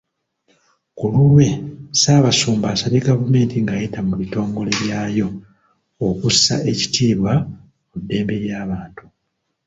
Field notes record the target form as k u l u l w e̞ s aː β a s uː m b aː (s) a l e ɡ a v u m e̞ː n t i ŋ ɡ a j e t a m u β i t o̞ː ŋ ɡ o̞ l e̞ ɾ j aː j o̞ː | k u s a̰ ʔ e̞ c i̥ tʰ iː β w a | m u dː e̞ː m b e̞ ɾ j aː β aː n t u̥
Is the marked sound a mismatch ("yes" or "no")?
no